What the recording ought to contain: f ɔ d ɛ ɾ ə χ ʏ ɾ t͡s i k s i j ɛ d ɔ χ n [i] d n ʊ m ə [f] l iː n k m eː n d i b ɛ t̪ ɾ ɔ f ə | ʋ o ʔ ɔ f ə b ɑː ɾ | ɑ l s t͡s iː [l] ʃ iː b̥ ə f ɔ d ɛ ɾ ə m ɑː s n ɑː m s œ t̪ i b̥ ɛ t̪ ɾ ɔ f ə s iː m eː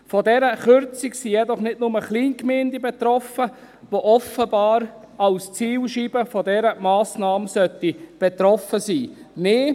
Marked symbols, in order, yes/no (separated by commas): no, no, yes